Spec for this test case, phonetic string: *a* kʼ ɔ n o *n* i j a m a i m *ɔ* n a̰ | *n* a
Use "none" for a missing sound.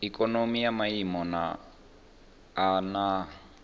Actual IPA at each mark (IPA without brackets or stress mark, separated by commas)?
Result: i, m, ɔ, n